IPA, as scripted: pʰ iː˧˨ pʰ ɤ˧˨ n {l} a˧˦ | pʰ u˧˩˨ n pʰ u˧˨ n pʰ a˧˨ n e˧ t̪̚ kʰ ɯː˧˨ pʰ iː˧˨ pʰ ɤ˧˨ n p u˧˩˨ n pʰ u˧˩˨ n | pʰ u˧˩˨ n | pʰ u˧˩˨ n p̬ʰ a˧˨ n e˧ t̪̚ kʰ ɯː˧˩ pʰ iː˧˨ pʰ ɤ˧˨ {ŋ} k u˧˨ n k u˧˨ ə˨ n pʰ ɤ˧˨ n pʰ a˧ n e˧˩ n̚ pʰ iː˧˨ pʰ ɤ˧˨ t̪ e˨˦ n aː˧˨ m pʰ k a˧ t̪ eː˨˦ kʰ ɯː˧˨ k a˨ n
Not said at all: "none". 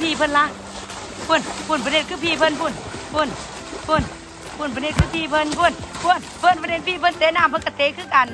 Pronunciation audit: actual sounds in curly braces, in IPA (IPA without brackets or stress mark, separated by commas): l, n